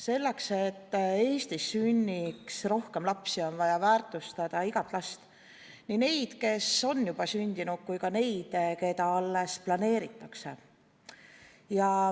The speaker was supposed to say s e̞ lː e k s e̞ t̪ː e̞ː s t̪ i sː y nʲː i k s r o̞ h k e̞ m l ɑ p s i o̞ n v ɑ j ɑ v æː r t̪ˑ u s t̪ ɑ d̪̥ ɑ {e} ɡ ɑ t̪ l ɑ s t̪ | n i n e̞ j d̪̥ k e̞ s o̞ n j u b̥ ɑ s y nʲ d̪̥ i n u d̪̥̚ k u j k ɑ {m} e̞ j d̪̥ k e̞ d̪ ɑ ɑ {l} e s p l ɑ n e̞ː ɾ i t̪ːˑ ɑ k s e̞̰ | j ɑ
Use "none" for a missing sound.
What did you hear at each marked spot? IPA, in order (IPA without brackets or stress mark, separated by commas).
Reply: i, n, lː